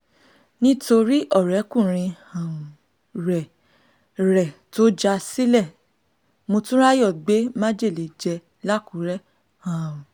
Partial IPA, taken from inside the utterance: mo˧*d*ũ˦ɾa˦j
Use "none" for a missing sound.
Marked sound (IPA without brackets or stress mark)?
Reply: t